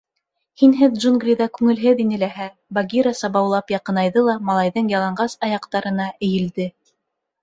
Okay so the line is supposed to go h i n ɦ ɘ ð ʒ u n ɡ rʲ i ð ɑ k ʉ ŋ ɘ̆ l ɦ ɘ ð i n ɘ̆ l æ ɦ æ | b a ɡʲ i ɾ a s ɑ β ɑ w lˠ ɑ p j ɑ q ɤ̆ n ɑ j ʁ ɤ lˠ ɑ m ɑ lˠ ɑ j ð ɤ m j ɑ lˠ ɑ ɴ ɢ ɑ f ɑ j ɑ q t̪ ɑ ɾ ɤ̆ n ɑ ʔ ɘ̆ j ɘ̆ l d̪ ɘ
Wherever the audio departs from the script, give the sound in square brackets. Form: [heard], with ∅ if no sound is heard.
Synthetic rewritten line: h i n ɦ ɘ ð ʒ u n ɡ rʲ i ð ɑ k ʉ ŋ ɘ̆ l ɦ ɘ ð i n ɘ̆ l æ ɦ æ | b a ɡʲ i ɾ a s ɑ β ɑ w lˠ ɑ p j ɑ q ɤ̆ n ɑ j [ð] ɤ lˠ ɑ m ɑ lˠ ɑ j ð ɤ [ɴ] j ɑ lˠ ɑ ɴ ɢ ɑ [s] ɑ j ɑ q t̪ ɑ ɾ ɤ̆ n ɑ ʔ ɘ̆ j ɘ̆ l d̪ ɘ